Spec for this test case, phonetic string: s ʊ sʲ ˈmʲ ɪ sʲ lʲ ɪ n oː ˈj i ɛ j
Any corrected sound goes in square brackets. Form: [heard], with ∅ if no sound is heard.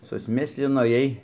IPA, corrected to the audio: s ʊ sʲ ˈmʲ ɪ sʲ lʲ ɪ n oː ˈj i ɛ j